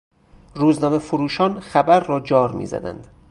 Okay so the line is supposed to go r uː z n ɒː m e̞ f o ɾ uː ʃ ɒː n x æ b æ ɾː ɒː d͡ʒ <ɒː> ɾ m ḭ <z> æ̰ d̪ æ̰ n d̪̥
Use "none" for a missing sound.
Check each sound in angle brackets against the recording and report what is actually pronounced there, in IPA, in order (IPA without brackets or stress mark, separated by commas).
ɒː, z